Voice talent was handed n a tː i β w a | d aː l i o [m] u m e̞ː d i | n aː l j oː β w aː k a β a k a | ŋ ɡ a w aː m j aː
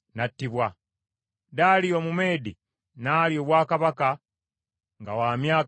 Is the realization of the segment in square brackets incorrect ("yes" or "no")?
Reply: no